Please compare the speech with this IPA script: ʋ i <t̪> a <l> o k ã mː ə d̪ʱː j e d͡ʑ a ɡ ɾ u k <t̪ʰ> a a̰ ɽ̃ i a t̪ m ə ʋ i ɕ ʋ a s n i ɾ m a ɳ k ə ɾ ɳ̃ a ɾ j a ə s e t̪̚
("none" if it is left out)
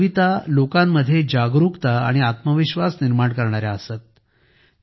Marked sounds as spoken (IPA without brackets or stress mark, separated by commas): t̪, l, t̪